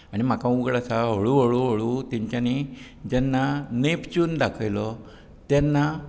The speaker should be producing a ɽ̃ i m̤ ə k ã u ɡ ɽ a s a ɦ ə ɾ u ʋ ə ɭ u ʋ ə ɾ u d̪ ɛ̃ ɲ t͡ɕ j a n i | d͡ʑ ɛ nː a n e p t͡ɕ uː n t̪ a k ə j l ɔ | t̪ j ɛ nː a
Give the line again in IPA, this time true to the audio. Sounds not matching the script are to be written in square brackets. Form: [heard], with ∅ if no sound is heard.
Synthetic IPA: a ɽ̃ i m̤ [a] k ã u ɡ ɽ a s a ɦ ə [ɭ] u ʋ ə ɭ u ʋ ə [ɭ] u [t̪] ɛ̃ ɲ t͡ɕ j a n i | d͡ʑ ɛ nː a n e p t͡ɕ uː n [d̪] a [kʰ] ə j l ɔ | t̪ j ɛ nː a